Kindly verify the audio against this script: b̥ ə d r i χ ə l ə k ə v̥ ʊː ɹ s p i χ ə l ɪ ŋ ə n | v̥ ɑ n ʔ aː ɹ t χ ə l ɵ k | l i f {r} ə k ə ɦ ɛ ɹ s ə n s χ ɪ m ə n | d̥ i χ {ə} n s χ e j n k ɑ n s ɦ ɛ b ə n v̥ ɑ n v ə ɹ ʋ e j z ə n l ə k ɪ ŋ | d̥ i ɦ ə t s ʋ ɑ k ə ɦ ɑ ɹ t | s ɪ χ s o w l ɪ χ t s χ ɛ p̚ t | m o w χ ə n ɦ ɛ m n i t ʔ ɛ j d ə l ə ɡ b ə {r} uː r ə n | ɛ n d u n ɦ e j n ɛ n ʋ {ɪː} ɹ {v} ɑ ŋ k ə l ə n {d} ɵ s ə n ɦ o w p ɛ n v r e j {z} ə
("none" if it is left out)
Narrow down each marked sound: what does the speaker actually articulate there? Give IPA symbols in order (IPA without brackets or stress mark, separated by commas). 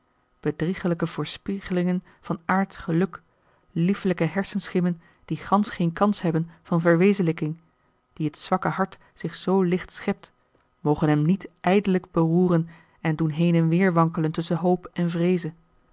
l, ɑ, r, ɪː, ʋ, t, z